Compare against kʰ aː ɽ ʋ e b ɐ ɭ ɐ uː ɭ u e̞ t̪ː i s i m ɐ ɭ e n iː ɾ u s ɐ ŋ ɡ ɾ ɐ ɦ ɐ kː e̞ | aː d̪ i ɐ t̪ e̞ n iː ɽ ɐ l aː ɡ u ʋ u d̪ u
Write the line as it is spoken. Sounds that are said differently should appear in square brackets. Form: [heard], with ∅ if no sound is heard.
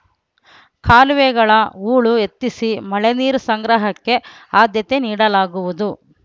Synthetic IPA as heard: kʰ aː [l] ʋ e [ɡ] ɐ ɭ ɐ uː ɭ u e̞ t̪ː i s i m ɐ ɭ e n iː ɾ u s ɐ ŋ ɡ ɾ ɐ ɦ ɐ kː e̞ | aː d̪ [j] ɐ t̪ e̞ n iː ɽ ɐ l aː ɡ u ʋ u d̪ u